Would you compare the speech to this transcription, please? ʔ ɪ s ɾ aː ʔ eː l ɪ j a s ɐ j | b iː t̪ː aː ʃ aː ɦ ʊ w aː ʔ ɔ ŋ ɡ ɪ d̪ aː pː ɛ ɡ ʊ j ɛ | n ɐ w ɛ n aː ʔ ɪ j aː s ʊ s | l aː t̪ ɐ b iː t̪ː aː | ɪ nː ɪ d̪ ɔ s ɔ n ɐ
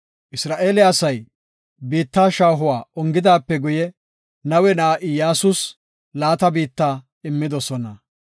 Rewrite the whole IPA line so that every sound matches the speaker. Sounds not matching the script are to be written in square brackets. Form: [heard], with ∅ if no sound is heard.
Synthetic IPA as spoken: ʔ ɪ s ɾ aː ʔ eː l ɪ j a s ɐ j | b iː t̪ː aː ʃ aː ɦ ʊ w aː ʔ ɔ ŋ ɡ ɪ d̪ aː pː ɛ ɡ ʊ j ɛ | n ɐ w ɛ n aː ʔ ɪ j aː s ʊ s | l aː t̪ ɐ b iː t̪ː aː | ɪ [mː] ɪ d̪ ɔ s ɔ n ɐ